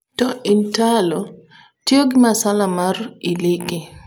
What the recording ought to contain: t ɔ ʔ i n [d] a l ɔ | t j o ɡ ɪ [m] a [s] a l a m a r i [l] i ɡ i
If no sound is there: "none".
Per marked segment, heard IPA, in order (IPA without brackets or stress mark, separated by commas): t, m, s, l